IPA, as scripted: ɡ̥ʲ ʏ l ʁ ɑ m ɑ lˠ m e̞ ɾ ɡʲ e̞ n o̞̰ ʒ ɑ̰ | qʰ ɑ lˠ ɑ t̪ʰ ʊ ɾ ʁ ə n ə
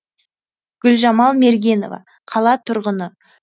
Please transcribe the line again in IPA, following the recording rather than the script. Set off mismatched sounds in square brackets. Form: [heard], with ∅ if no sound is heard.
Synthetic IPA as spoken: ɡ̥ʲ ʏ l [ʒ] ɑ m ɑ lˠ m e̞ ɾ ɡʲ e̞ n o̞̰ [v] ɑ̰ | qʰ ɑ lˠ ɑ t̪ʰ ʊ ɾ ʁ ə n ə